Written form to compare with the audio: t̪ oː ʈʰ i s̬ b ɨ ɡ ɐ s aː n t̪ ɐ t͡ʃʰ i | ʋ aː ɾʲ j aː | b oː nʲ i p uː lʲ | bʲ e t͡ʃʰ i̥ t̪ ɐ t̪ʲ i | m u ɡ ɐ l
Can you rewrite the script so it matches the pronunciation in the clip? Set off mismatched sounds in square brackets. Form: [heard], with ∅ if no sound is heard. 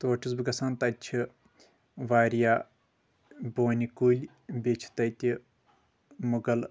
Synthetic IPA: t̪ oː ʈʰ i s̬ b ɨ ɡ ɐ s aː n t̪ ɐ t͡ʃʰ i | ʋ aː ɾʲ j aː | b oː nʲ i [k] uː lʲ | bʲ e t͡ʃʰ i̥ t̪ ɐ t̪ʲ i | m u ɡ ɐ l